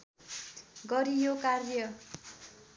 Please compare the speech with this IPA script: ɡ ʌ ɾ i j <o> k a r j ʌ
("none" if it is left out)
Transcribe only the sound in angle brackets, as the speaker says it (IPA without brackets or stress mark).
o